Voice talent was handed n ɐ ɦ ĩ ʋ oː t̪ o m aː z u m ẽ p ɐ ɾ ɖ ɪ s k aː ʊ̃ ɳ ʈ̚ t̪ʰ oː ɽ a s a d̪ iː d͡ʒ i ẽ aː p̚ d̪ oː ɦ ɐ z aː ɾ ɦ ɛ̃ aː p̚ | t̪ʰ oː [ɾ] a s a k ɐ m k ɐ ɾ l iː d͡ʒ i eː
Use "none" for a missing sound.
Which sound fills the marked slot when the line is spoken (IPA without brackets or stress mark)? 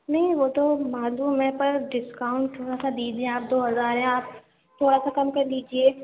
ɽ